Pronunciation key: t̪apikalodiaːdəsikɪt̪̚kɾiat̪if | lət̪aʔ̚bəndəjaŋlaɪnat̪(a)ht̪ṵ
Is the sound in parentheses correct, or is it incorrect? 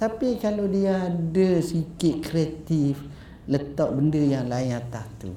correct